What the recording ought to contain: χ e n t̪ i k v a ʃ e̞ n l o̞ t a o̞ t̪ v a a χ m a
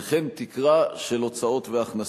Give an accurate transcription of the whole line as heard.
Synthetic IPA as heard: χ e n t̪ i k ʁ a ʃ e̞ l o̞ t͡s a o̞ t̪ v e a χ n a